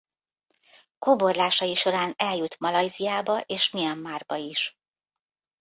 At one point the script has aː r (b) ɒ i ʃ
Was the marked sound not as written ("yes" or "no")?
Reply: no